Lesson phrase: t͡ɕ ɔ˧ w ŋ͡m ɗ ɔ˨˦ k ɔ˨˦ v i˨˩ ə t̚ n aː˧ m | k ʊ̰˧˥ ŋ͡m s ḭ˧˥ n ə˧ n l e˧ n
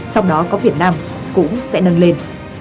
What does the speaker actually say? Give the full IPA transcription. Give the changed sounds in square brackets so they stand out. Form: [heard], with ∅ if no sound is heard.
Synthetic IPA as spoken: t͡ɕ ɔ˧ w ŋ͡m ɗ ɔ˨˦ k ɔ˨˦ v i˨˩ ə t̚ n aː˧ m | k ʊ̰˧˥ ŋ͡m s [ɛ̰˧˥] n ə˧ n l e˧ n

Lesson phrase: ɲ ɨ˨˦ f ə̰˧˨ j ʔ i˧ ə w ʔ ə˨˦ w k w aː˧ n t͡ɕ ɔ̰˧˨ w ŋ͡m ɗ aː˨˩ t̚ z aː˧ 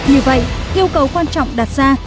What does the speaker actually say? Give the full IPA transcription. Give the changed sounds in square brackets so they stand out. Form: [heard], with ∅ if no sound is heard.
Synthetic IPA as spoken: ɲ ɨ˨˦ [v] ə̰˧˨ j ʔ i˧ ə w [k] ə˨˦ w k w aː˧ n t͡ɕ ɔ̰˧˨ w ŋ͡m ɗ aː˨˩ t̚ z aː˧

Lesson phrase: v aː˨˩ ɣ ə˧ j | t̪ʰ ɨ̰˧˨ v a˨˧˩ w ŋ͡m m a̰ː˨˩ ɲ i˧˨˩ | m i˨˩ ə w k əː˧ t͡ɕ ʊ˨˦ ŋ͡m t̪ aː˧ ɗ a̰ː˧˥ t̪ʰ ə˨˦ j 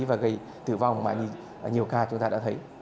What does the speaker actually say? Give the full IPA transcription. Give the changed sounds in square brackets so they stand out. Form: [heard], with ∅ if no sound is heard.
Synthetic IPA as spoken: v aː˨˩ ɣ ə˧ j | [t̪] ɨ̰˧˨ v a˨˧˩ w ŋ͡m m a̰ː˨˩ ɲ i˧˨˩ | [ɲ] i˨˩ ə w k [aː˧] t͡ɕ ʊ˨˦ ŋ͡m t̪ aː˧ ɗ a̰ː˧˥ t̪ʰ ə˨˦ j

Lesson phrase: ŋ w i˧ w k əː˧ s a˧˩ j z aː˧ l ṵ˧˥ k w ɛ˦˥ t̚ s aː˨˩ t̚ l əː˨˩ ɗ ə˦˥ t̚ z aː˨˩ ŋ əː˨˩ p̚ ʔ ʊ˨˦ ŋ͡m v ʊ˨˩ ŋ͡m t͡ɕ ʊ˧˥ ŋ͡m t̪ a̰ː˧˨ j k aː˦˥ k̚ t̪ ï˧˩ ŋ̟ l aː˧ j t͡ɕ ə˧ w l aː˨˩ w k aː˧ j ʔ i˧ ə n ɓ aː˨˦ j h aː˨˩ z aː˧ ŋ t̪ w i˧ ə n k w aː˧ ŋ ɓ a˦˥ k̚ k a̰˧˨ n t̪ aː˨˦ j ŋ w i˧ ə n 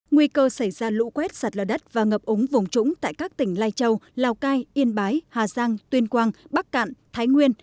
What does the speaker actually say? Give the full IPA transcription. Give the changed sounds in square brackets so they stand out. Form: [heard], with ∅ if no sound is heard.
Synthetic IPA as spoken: ŋ w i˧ [∅] k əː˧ s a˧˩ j z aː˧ l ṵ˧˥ k w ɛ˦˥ t̚ s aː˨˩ t̚ l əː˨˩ ɗ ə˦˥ t̚ [v] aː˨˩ ŋ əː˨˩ p̚ ʔ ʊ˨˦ ŋ͡m v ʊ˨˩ ŋ͡m t͡ɕ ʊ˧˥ ŋ͡m t̪ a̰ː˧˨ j k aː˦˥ k̚ t̪ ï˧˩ ŋ̟ l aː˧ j t͡ɕ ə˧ w l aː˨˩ w k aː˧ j ʔ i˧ ə n ɓ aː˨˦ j h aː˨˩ z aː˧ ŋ t̪ w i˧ ə n k w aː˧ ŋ ɓ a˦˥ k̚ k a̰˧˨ n [t̪ʰ] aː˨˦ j ŋ w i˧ ə n

